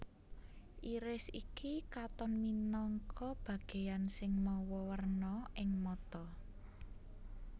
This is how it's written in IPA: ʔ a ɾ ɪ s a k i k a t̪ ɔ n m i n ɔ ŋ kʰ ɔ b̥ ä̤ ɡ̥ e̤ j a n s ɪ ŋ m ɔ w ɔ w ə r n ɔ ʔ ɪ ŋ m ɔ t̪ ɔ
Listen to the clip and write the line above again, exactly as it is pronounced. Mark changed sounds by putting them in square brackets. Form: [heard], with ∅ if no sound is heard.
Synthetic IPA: ʔ [i] ɾ ɪ s [i] k i k a t̪ ɔ n m i n ɔ ŋ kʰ ɔ b̥ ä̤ ɡ̥ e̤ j a n s ɪ ŋ m ɔ w ɔ w ə r n ɔ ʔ ɪ ŋ m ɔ t̪ ɔ